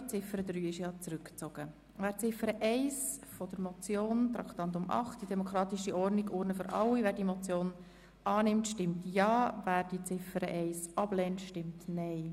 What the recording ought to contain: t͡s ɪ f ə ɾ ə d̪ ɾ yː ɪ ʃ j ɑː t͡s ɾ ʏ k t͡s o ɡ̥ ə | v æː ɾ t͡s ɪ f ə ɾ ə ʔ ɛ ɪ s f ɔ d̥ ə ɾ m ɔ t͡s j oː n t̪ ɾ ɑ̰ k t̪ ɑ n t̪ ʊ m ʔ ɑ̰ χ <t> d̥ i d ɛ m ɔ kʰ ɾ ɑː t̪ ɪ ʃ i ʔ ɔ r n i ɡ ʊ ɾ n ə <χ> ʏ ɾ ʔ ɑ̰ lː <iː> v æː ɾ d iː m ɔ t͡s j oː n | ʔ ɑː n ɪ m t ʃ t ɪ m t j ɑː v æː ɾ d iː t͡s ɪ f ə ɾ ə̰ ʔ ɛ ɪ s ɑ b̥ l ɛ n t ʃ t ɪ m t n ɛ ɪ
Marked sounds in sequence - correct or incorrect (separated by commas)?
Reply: correct, incorrect, incorrect